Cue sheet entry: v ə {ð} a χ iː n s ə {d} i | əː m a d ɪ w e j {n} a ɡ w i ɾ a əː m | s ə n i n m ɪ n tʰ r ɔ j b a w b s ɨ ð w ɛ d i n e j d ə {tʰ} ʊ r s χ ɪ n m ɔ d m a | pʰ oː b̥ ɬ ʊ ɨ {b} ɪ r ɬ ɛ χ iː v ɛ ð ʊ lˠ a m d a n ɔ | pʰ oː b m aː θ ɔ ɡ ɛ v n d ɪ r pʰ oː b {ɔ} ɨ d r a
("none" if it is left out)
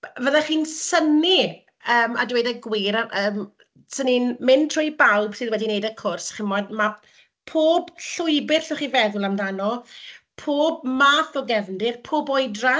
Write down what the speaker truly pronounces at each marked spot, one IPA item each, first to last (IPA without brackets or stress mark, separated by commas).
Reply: ð, n, d, kʰ, b, ɔ